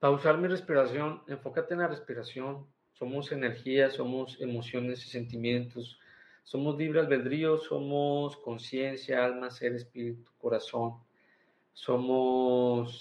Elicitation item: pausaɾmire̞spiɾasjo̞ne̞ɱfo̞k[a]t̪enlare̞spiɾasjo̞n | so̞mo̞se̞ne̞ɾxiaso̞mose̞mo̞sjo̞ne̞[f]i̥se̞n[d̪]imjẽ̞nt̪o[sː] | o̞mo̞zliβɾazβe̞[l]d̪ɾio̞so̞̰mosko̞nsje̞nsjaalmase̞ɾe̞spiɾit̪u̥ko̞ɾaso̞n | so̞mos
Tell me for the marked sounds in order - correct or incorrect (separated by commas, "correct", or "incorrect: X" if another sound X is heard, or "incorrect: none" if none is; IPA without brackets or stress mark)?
correct, incorrect: s, incorrect: t̪, correct, correct